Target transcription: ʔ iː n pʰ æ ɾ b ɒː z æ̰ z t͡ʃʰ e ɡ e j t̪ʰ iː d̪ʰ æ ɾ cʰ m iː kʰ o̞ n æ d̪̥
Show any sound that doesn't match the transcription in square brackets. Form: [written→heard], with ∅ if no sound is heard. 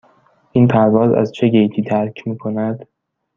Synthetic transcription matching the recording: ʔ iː n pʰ æ ɾ [b→v] ɒː z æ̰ z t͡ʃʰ e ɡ e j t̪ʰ iː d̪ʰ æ ɾ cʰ m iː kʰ o̞ n æ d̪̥